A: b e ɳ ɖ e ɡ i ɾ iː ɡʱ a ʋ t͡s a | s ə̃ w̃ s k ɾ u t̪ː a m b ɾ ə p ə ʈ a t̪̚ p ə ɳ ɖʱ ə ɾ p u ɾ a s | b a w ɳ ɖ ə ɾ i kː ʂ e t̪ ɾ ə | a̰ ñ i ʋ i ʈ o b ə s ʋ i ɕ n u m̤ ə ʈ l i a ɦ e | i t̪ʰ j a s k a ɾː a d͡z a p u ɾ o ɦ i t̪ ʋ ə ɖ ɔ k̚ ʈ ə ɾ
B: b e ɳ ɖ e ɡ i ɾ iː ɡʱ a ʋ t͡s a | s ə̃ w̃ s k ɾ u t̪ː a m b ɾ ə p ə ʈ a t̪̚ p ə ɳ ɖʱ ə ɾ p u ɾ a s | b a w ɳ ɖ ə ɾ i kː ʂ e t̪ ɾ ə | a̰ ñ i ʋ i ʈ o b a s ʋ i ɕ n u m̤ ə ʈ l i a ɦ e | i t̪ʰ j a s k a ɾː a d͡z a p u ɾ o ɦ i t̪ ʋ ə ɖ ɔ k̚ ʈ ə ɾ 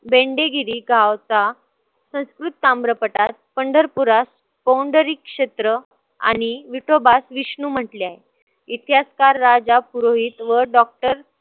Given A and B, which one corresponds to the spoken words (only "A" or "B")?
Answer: B